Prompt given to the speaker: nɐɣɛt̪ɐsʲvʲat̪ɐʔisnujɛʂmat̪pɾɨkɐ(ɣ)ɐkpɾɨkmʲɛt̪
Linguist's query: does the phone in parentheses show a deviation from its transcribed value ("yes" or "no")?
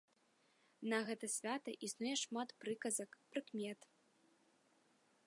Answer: yes